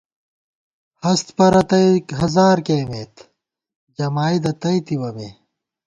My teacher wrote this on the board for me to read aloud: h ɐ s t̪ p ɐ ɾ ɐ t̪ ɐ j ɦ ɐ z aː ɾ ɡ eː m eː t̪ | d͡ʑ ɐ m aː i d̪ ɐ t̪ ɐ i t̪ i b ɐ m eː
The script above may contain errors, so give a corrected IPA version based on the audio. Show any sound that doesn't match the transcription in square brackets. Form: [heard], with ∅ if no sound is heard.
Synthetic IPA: h ɐ s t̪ p ɐ ɾ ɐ t̪ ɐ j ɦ ɐ z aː ɾ [k] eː m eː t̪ | d͡ʑ ɐ m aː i d̪ ɐ t̪ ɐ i t̪ i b ɐ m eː